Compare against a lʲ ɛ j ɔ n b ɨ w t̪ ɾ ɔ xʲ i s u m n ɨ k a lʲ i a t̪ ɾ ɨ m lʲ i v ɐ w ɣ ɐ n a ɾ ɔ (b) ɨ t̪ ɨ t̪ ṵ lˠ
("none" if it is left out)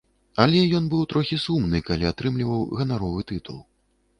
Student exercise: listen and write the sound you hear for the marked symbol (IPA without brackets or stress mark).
v